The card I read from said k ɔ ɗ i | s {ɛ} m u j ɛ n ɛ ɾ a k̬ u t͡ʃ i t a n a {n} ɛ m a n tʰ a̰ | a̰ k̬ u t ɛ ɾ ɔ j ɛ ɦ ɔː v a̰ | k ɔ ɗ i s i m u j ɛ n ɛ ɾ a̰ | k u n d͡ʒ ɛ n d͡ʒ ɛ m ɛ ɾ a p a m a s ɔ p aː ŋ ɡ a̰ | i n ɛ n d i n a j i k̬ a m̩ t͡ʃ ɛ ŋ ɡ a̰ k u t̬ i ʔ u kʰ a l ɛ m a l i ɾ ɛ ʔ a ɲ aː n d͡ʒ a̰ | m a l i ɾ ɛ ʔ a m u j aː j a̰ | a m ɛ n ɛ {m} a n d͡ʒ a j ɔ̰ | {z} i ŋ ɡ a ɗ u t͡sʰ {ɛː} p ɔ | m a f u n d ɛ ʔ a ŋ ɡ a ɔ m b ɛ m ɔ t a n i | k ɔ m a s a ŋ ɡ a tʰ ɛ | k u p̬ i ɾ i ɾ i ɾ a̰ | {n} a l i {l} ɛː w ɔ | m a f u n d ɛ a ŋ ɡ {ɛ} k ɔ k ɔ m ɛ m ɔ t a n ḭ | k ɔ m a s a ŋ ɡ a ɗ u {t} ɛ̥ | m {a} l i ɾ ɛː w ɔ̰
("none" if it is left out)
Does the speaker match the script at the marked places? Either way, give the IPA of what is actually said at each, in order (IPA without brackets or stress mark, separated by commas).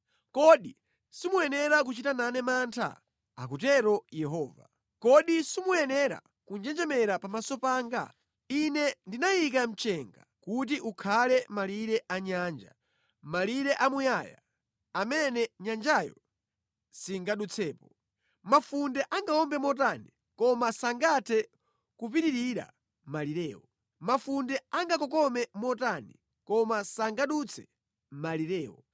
i, n, ɲ, s, ɛː, m, ɾ, a, t͡sʰ, a